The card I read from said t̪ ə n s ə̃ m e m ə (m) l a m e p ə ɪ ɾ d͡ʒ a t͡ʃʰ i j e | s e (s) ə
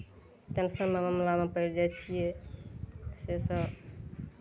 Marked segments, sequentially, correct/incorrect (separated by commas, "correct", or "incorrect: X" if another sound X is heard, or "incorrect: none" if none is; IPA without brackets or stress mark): correct, correct